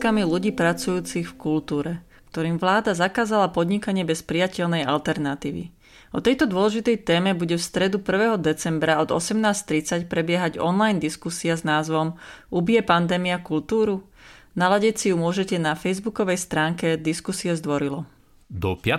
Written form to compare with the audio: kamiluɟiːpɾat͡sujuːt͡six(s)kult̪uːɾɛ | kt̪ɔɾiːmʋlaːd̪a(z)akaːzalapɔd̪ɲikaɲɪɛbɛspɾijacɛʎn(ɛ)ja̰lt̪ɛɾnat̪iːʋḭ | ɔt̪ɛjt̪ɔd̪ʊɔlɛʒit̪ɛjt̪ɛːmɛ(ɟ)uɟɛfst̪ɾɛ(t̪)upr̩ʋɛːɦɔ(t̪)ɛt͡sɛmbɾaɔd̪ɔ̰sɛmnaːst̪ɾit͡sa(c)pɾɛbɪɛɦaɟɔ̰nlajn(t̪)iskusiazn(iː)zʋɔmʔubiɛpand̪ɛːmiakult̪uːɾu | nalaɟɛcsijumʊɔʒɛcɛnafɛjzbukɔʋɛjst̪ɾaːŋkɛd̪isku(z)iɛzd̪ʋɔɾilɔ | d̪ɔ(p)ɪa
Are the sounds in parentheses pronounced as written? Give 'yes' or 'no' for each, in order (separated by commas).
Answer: no, yes, yes, no, no, no, yes, no, no, no, yes